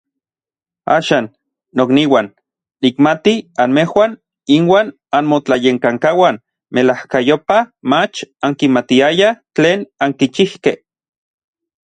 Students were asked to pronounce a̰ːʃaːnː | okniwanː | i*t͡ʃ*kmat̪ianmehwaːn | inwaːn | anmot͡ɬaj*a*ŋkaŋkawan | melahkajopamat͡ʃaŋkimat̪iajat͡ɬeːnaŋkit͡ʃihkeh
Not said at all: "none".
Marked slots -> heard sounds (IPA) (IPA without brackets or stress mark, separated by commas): none, e